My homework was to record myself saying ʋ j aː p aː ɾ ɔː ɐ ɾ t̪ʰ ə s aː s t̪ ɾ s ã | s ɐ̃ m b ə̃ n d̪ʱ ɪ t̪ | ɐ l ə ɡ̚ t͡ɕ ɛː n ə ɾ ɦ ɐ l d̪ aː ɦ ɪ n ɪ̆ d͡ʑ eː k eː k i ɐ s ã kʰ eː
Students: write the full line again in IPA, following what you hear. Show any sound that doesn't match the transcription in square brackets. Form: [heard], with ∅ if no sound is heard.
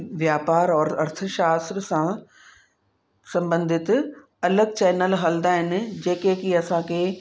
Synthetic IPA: ʋ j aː p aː ɾ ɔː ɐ ɾ t̪ʰ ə [ʃ] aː s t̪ ɾ s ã | s ɐ̃ m b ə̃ n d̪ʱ ɪ t̪ | ɐ l ə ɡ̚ t͡ɕ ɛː n ə [l] ɦ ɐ l d̪ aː ɦ ɪ n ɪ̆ d͡ʑ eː k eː k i ɐ s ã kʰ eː